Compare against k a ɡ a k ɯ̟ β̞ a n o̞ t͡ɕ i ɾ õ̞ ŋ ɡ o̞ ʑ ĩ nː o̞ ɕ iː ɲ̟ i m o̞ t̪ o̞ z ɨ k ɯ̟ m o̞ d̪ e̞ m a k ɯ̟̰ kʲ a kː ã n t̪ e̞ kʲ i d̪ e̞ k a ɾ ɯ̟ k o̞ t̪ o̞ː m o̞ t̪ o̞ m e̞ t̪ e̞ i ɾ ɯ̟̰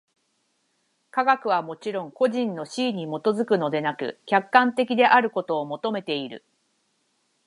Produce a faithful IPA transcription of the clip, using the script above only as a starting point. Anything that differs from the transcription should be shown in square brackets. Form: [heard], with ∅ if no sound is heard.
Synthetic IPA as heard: k a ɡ a k ɯ̟ β̞ a [m] o̞ t͡ɕ i ɾ õ̞ ŋ [k] o̞ ʑ ĩ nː o̞ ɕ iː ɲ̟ i m o̞ t̪ o̞ z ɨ k ɯ̟ [n] o̞ d̪ e̞ [n] a k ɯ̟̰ kʲ a kː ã n t̪ e̞ kʲ i d̪ e̞ [ʔ] a ɾ ɯ̟ k o̞ t̪ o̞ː m o̞ t̪ o̞ m e̞ t̪ e̞ i ɾ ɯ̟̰